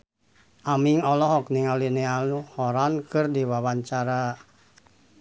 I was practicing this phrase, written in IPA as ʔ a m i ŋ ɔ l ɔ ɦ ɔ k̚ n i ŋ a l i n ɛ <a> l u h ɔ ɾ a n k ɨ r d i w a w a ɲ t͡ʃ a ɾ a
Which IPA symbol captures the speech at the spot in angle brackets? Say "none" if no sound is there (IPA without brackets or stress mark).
a